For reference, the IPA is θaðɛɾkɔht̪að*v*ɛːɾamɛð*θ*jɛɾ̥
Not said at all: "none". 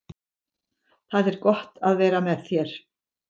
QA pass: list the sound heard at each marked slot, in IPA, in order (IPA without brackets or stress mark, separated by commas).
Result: v, θ